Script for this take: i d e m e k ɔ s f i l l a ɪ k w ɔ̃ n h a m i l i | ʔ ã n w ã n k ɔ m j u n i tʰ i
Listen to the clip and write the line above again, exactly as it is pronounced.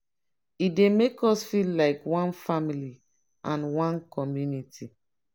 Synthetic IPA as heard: i d e m e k ɔ s f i l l a ɪ k w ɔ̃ n f a m i l i | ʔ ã n w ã n k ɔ m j u n i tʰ i

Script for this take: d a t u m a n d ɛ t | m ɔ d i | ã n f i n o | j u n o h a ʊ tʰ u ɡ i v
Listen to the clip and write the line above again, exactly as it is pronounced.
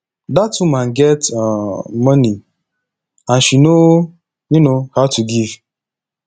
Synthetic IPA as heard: d a t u m a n ɡ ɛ t | m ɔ n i | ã n ʃ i n o | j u n o h a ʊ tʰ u ɡ i v

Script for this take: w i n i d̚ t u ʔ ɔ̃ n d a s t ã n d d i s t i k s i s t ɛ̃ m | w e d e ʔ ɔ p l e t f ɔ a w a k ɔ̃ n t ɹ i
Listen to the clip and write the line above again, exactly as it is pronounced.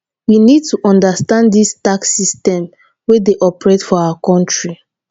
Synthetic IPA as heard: w i n i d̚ t u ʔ ɔ̃ n d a s t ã n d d i s t a k s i s t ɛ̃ m | w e d e ʔ ɔ p ɹ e t f ɔ a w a k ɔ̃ n t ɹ i

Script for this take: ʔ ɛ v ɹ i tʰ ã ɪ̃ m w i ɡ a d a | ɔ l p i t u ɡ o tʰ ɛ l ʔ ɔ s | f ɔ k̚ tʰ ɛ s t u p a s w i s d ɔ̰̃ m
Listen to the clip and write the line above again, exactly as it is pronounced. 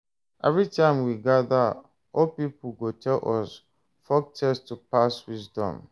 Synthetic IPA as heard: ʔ ɛ v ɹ i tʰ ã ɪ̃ m w i ɡ a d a | ɔ l p i p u ɡ o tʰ ɛ l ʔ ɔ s | f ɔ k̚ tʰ ɛ s t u p a s w i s d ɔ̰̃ m

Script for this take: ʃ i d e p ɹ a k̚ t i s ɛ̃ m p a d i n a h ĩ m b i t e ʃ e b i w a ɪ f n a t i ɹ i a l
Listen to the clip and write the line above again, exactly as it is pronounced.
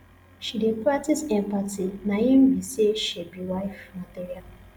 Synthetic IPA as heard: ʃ i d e p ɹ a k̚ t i s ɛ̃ m p a t i n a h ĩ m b i s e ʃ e b i w a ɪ f m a t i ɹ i a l

